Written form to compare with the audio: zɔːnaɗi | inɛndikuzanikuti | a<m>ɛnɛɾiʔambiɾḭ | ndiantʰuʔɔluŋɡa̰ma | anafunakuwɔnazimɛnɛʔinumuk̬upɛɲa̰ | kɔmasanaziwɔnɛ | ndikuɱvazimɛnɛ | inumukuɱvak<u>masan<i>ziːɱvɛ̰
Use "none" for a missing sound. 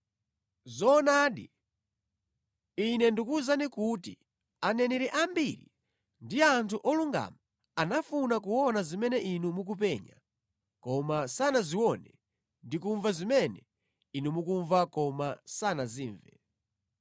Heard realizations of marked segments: n, ɔ, a

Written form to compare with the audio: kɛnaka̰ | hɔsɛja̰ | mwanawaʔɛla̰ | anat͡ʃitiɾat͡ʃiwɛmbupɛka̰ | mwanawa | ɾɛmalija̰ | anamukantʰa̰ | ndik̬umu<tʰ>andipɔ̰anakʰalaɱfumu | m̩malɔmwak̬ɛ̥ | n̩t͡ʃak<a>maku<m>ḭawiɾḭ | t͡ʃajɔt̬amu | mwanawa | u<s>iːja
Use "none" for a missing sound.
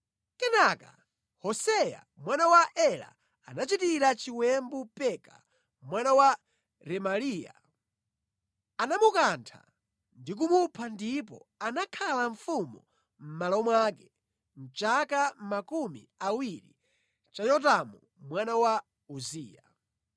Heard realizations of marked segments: pʰ, a, m, z

